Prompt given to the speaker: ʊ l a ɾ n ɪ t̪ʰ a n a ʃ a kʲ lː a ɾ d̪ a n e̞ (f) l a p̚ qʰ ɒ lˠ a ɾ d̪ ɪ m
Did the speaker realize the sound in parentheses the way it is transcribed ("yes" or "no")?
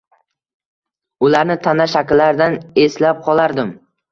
no